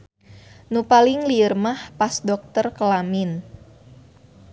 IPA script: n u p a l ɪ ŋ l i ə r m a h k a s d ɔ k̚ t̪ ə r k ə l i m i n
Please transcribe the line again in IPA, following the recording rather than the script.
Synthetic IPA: n u p a l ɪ ŋ l i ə r m a h p a s d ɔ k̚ t̪ ə r k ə l a m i n